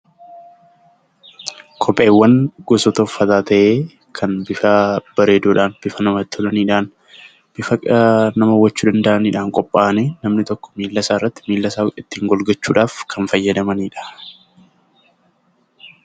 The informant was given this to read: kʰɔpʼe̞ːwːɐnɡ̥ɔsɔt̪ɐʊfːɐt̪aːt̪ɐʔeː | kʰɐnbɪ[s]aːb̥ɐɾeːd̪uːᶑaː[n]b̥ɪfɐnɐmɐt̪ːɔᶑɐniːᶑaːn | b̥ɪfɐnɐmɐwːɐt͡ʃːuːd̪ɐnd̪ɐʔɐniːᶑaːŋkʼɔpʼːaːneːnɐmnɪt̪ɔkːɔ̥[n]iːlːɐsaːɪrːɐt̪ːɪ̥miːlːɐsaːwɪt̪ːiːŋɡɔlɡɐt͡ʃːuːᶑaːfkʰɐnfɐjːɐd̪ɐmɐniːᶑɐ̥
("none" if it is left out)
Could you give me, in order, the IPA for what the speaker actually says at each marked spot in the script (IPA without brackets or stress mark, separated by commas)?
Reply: f, n, m